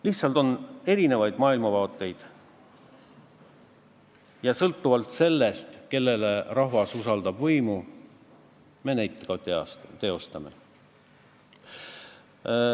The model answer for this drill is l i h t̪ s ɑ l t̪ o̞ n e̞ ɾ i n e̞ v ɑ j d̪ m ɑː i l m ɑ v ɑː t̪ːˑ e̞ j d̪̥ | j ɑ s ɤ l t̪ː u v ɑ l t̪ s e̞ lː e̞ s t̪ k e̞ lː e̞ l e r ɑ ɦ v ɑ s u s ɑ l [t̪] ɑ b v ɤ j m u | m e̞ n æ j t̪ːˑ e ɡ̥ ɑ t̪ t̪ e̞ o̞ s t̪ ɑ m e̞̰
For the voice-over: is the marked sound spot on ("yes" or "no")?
no